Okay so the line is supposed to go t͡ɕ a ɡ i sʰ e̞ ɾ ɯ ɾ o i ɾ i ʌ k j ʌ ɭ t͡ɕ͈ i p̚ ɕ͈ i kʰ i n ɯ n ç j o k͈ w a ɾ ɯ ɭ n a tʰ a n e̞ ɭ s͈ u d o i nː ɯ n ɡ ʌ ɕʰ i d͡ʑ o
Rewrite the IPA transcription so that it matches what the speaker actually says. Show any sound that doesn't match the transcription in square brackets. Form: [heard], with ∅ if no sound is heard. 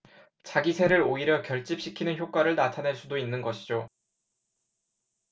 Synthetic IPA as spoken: t͡ɕ a ɡ i sʰ e̞ ɾ ɯ ɾ o i ɾ [j] ʌ k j ʌ ɭ t͡ɕ͈ i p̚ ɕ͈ i kʰ i n ɯ n ç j o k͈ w a ɾ ɯ ɭ n a tʰ a n e̞ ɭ s͈ u d o i nː ɯ n ɡ ʌ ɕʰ i d͡ʑ o